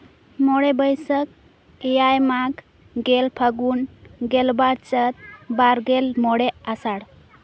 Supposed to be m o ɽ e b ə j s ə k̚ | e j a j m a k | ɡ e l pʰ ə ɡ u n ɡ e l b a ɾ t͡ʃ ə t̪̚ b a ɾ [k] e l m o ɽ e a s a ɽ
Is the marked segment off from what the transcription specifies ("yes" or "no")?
yes